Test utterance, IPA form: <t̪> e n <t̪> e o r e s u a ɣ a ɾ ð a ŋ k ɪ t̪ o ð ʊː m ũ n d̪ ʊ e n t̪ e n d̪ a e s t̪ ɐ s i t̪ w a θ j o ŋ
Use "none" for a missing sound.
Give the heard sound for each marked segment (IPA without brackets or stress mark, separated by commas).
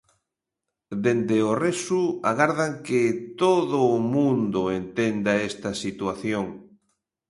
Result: d̪, d̪